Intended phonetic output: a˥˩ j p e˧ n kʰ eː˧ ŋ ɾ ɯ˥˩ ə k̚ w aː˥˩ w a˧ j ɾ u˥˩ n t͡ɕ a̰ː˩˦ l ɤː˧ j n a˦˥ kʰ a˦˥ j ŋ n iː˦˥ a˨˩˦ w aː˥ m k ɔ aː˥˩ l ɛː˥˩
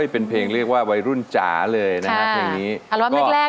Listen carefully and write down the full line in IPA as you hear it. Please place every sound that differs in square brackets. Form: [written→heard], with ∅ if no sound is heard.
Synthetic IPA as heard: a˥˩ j p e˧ n [kʰ→pʰ] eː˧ ŋ ɾ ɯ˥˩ ə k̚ w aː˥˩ w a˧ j ɾ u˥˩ n t͡ɕ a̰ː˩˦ l ɤː˧ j n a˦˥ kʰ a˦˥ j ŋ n iː˦˥ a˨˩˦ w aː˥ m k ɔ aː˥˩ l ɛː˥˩